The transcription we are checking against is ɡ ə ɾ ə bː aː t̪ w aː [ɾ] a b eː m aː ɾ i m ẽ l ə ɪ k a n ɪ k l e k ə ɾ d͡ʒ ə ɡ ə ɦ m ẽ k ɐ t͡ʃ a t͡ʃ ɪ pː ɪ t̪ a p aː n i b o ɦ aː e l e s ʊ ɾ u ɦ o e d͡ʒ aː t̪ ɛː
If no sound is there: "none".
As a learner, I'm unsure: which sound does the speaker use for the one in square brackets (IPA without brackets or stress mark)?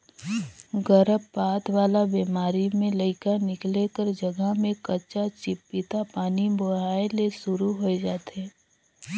l